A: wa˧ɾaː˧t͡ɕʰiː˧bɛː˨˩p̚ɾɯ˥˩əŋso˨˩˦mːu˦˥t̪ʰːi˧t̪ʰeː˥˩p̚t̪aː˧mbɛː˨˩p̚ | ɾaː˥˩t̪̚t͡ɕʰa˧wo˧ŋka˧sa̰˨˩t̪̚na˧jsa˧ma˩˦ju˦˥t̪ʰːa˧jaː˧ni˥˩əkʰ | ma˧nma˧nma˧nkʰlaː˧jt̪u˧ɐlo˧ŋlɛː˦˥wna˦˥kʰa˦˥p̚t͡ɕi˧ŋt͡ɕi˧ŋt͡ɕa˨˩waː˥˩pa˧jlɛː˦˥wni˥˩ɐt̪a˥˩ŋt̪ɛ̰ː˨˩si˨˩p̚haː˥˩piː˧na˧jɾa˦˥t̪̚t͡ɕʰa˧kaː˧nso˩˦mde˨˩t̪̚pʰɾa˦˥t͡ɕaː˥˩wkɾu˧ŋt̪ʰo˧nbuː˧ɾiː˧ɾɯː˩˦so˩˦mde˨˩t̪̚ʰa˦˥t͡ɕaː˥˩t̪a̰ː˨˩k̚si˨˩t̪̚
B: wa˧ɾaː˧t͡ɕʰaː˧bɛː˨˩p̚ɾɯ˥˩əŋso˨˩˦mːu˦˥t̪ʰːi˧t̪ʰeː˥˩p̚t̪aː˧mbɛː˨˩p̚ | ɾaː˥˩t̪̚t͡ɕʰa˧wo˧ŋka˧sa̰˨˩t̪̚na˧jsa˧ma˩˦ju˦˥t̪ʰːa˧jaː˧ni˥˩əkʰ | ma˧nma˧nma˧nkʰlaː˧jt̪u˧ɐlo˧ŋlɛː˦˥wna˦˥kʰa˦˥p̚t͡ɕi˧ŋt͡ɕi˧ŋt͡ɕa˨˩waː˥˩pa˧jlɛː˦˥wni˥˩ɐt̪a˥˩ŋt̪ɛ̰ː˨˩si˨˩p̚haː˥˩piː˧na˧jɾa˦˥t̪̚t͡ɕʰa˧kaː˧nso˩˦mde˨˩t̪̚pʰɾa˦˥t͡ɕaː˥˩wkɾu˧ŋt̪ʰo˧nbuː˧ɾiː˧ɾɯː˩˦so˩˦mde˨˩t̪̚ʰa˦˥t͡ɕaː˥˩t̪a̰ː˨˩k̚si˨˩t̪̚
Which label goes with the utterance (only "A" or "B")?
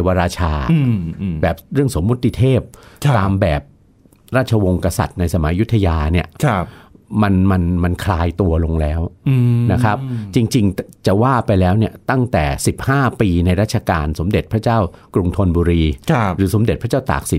B